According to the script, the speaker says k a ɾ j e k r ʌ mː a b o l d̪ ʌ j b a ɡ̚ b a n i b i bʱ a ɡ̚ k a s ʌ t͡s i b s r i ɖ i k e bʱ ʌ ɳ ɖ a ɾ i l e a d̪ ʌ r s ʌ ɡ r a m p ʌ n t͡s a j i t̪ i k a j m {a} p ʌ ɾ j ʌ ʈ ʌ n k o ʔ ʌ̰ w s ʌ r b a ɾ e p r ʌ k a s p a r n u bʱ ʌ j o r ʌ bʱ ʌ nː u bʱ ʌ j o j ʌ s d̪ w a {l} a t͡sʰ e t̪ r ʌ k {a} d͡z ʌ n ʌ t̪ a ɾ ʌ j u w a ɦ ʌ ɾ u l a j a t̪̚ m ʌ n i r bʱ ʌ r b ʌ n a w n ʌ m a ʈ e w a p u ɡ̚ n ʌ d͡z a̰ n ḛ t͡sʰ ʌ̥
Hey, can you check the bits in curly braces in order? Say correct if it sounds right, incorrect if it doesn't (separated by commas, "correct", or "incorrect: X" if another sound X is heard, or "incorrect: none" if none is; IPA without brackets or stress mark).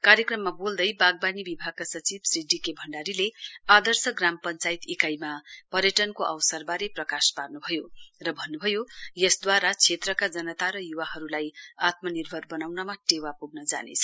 correct, incorrect: ɾ, correct